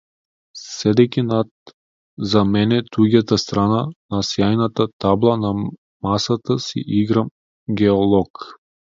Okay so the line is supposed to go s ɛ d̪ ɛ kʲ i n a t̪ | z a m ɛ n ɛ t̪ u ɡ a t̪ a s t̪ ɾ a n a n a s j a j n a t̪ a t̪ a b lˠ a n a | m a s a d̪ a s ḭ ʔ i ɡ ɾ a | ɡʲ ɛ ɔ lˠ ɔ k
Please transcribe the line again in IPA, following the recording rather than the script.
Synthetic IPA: s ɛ d̪ ɛ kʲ i n a t̪ | z a m ɛ n ɛ t̪ u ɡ a t̪ a s t̪ ɾ a n a n a s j a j n a t̪ a t̪ a b lˠ a n a | m a s a t̪ a s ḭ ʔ i ɡ ɾ a | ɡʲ ɛ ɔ lˠ ɔ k